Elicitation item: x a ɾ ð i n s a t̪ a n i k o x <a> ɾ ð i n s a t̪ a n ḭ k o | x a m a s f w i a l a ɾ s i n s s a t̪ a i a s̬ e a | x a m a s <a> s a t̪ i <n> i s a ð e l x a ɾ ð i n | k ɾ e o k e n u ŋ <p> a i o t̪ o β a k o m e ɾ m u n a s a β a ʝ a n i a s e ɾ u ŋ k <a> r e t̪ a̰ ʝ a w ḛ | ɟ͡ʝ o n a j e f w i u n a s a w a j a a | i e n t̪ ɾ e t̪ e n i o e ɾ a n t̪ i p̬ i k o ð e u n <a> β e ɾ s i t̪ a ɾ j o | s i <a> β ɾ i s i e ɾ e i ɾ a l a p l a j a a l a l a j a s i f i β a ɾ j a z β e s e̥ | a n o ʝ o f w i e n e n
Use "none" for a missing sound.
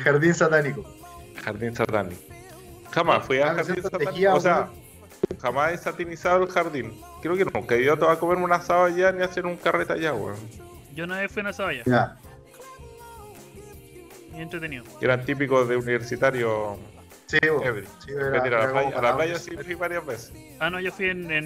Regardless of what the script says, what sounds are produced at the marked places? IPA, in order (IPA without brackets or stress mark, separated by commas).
a, e, n, k, a, i, e